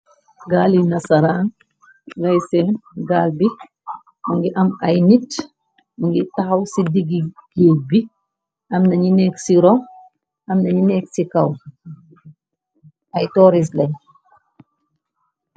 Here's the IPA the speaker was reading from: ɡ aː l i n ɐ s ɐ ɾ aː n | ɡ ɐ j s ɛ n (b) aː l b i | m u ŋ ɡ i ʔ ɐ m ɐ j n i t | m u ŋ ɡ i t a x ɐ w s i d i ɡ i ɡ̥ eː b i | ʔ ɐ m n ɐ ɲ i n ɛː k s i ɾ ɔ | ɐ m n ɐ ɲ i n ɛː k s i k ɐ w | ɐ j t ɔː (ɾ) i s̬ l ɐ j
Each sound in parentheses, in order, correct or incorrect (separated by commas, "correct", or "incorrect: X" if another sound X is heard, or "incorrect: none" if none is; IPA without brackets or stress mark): incorrect: ɡ, correct